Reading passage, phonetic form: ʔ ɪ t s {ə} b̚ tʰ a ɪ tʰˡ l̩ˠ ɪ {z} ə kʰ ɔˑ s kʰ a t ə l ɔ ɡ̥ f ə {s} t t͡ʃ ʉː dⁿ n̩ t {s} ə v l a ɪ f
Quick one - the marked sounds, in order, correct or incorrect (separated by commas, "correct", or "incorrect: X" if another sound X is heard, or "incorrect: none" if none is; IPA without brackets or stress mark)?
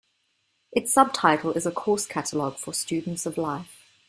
incorrect: ʌ, correct, correct, correct